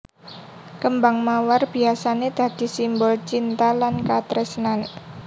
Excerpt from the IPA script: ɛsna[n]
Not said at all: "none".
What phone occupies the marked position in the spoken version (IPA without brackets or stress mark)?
n